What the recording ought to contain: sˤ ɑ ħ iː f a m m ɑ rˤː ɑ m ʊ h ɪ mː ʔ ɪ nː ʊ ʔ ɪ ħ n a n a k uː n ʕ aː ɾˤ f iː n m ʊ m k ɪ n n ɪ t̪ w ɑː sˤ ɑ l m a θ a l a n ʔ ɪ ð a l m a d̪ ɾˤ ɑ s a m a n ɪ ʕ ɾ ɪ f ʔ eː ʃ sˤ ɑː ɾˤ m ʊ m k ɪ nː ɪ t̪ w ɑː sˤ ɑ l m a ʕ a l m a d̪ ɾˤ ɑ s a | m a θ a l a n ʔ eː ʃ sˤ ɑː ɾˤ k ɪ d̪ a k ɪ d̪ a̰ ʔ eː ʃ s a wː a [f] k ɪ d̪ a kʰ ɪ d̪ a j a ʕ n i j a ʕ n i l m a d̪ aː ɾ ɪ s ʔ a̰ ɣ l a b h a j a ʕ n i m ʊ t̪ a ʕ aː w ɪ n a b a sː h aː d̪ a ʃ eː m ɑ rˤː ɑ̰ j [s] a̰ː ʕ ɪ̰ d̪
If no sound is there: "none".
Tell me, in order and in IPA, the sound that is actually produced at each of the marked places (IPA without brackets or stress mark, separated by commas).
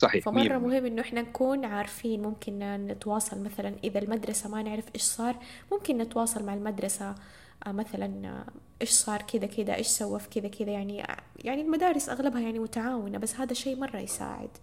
f, s